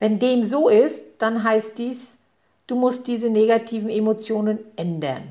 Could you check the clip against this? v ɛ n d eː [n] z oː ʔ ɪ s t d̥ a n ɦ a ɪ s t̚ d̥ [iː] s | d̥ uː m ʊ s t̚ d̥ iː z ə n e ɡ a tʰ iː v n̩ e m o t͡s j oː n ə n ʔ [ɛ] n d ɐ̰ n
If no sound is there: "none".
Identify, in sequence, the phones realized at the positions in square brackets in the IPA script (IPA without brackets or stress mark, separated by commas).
m, iː, ɛ